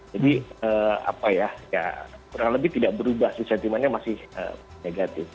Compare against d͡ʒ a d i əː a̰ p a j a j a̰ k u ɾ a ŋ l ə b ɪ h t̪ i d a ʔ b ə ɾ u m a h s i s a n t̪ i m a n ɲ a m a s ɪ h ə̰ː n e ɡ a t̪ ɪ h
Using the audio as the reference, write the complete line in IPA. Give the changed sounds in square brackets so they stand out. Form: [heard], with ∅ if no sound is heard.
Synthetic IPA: d͡ʒ a d i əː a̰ p a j a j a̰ k u ɾ a ŋ l ə b ɪ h t̪ i d a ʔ b ə ɾ u [b] a h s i s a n t̪ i m a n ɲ a m a s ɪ h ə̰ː n e ɡ a t̪ ɪ [f]